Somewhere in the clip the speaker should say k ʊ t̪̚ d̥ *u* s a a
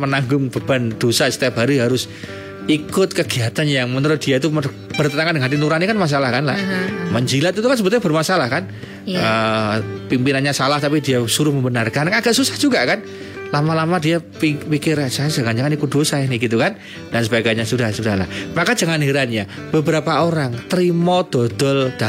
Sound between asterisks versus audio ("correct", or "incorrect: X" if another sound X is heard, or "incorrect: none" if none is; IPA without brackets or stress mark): incorrect: o